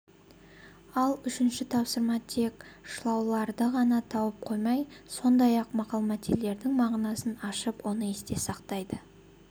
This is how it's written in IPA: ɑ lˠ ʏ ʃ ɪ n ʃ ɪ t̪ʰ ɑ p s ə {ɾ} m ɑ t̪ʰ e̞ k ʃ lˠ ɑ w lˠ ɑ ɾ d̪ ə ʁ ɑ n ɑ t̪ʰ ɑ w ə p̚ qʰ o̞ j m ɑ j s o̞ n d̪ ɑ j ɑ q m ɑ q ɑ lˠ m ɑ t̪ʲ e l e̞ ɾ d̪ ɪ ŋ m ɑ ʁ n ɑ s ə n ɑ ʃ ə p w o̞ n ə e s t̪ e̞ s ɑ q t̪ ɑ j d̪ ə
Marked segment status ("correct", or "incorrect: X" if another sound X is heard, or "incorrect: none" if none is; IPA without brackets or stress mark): correct